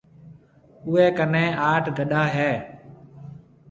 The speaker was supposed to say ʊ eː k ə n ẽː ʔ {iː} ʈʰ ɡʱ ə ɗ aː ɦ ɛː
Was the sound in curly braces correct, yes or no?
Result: no